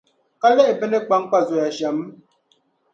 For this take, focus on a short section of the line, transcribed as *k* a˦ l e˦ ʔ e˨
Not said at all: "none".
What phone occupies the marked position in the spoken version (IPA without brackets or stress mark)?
k